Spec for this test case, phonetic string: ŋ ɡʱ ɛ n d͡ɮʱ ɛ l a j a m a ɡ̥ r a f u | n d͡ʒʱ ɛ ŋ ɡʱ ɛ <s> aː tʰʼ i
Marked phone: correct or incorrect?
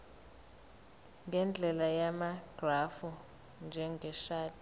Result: incorrect